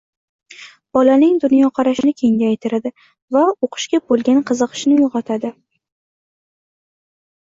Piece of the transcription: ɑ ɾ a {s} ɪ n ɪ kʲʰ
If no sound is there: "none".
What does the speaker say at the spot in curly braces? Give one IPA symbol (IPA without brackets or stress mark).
ʃ